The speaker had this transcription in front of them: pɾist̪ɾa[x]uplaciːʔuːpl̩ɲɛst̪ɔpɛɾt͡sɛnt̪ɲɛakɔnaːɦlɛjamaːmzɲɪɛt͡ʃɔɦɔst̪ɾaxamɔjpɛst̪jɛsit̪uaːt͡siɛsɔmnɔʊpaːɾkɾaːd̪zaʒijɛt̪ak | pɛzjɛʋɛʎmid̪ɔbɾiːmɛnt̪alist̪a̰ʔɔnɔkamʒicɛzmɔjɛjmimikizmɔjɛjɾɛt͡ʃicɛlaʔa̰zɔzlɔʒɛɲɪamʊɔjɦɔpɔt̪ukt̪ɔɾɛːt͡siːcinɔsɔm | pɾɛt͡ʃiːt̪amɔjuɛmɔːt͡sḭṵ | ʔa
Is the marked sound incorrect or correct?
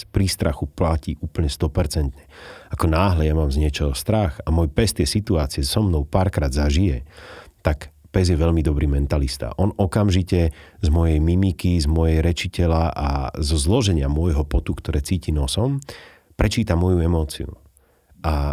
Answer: correct